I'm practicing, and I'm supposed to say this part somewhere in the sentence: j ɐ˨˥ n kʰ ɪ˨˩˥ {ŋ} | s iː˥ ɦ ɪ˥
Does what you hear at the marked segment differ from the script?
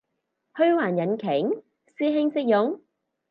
no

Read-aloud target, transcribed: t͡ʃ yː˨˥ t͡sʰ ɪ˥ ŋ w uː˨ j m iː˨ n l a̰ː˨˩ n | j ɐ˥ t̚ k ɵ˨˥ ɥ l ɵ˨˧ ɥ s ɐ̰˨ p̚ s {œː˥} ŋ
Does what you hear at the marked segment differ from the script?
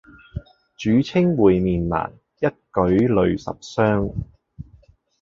no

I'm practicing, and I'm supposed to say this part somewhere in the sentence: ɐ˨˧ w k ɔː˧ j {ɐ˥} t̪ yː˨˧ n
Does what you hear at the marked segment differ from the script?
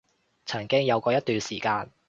no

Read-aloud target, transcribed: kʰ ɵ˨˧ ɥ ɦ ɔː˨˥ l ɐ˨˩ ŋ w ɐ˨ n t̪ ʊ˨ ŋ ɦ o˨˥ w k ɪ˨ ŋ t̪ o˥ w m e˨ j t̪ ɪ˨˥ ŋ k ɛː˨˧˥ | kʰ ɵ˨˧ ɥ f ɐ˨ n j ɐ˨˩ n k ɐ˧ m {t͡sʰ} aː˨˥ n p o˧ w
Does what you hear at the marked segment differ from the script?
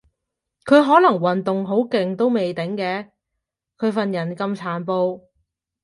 no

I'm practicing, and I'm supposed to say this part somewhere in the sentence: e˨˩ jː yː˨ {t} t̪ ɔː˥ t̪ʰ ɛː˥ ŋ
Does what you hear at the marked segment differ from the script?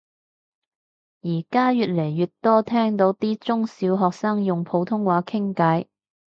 no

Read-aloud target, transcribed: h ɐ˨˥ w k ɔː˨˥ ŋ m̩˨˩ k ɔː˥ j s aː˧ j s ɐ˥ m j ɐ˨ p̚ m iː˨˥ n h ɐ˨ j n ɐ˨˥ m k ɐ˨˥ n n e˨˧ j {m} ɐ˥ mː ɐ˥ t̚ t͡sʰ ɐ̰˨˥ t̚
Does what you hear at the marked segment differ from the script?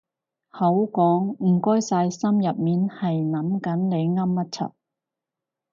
yes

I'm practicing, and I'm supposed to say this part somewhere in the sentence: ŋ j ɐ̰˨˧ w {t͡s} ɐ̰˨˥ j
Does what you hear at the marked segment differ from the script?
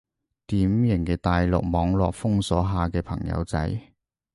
no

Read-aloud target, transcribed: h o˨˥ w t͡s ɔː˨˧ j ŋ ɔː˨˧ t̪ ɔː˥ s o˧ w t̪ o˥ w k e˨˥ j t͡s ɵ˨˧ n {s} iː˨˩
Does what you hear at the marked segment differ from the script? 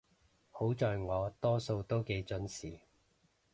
no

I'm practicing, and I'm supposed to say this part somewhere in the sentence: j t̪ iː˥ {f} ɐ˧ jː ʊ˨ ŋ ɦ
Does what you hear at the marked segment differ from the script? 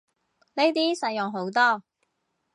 yes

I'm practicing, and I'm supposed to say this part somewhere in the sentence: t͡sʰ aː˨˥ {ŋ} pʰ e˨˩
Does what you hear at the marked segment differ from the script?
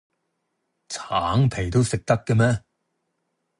no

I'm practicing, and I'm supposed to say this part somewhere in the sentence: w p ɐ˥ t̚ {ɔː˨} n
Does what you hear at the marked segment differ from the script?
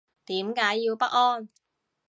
yes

